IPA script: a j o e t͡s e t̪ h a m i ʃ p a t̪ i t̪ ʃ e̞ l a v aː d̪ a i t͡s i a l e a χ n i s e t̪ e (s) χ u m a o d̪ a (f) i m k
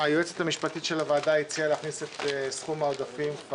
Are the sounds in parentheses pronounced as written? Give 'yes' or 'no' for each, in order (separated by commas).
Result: yes, yes